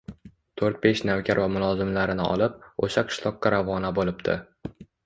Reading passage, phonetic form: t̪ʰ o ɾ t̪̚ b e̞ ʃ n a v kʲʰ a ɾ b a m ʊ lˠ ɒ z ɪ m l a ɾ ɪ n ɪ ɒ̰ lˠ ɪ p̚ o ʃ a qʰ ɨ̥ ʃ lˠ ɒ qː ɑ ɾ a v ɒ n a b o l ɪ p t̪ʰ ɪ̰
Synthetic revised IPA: t̪ʰ o ɾ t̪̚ b e̞ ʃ n a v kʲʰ a ɾ v a m ʊ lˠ ɒ z ɪ m l a ɾ ɪ n ɪ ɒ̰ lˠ ɪ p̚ o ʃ a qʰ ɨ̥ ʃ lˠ ɒ qː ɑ ɾ a v ɒ n a b o l ɪ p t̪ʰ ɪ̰